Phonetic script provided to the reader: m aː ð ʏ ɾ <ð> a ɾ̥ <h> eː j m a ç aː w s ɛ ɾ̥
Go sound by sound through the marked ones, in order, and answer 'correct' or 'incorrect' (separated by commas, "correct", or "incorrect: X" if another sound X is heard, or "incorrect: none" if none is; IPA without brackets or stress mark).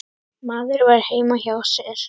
incorrect: v, correct